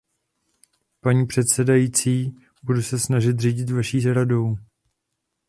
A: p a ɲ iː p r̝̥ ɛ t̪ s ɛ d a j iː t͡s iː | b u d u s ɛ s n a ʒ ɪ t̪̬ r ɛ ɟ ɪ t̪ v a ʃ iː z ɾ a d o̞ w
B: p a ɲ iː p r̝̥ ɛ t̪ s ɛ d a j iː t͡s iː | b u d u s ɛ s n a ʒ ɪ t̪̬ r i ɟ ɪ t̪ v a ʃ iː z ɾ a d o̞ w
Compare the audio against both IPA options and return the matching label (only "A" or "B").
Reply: B